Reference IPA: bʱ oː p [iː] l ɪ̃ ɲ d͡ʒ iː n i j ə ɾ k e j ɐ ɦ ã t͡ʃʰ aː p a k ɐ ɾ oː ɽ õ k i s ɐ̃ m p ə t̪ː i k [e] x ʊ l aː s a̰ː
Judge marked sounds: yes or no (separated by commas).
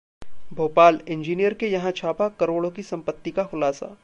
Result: no, no